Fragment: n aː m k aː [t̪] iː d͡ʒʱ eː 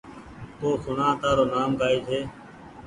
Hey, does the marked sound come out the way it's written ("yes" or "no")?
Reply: no